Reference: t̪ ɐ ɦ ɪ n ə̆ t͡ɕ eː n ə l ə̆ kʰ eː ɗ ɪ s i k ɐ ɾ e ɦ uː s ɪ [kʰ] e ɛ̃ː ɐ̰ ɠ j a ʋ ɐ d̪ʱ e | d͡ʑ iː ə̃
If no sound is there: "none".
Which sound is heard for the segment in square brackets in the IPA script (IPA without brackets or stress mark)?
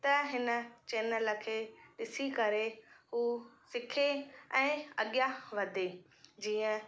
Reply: kʰ